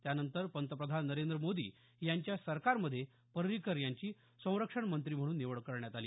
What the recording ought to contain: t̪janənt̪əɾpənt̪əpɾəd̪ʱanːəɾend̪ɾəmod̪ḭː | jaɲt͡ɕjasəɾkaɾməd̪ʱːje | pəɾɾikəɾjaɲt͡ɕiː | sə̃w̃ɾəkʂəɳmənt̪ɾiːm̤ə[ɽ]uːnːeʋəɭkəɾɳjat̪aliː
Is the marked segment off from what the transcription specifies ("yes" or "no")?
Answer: no